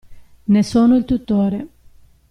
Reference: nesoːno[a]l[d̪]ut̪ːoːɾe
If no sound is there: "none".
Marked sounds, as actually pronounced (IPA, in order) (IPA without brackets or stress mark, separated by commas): i, t̪